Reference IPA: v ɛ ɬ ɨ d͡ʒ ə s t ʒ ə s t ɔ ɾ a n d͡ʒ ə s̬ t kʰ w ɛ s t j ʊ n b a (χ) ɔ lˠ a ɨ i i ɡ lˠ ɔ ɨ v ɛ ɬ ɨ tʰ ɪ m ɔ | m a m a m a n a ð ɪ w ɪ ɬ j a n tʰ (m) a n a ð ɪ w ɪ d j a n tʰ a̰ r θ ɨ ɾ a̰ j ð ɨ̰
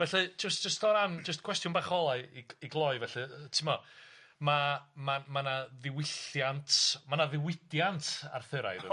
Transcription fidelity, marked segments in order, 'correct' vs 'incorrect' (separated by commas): correct, correct